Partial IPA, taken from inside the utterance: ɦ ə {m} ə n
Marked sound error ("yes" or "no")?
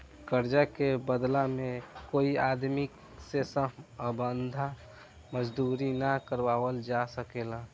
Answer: yes